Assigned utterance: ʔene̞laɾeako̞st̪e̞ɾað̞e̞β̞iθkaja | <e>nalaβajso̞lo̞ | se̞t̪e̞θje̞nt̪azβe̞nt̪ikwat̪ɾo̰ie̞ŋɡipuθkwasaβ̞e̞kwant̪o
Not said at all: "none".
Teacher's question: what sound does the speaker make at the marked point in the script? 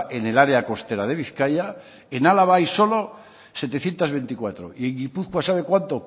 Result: e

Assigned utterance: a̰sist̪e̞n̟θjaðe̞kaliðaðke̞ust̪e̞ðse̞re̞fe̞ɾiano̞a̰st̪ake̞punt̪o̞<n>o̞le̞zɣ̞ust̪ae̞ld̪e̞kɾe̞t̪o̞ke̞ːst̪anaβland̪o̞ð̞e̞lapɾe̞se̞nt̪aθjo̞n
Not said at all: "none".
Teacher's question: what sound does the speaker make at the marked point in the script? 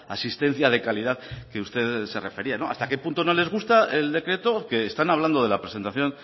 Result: n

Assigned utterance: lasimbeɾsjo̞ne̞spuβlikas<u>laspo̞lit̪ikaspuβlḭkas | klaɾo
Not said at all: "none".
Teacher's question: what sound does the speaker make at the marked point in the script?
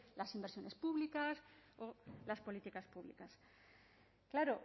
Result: o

